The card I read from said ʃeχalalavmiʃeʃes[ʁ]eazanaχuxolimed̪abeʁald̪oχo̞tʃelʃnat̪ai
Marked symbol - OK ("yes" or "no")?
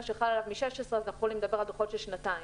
yes